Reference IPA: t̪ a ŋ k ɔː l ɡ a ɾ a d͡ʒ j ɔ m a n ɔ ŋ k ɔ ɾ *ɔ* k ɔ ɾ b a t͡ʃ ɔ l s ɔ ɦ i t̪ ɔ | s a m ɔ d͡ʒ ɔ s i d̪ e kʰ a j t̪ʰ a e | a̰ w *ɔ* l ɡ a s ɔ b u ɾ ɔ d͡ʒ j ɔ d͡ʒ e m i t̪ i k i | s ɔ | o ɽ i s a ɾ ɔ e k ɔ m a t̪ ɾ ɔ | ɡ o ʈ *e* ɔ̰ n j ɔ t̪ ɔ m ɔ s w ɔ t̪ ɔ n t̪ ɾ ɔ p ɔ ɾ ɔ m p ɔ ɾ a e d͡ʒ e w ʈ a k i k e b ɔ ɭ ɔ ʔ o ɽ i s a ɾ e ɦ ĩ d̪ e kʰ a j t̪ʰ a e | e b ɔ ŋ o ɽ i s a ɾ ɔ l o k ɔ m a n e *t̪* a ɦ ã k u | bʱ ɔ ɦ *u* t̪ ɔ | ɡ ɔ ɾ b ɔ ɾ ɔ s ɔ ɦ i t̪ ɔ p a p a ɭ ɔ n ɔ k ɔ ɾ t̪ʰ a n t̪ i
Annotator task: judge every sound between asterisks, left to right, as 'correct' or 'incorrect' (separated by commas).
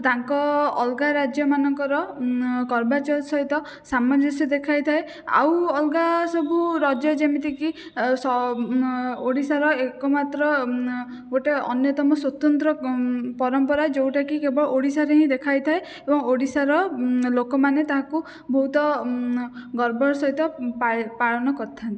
correct, correct, correct, correct, correct